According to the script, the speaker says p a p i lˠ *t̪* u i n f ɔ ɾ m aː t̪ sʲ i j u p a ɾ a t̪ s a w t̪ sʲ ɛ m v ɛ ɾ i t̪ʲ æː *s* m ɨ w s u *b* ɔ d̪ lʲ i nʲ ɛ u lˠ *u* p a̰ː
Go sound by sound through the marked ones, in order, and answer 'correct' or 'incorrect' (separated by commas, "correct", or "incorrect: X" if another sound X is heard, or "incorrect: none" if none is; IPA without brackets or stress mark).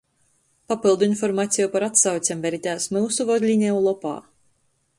incorrect: d̪, correct, incorrect: v, incorrect: ɔ